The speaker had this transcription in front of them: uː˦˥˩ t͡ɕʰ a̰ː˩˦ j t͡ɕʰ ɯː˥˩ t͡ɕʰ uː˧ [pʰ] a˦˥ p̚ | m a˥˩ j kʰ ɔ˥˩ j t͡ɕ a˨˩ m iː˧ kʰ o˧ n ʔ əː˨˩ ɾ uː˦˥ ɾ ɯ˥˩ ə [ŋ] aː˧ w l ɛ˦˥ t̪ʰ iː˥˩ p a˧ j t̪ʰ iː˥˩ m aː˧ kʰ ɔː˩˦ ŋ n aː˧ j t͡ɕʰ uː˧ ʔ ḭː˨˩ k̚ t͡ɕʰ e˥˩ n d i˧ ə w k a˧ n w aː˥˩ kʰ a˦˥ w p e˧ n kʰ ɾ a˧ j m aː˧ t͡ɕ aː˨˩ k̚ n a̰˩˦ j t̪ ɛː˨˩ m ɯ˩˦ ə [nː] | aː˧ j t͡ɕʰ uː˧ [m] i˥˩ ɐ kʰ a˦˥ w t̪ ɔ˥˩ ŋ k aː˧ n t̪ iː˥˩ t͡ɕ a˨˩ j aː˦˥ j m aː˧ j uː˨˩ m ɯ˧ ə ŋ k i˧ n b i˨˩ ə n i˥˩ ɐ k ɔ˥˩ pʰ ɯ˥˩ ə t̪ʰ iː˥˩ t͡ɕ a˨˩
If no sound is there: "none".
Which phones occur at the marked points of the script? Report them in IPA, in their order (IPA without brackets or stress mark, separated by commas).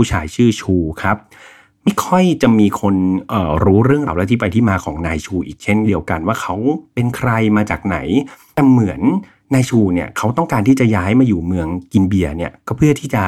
kʰ, ŋ, nː, n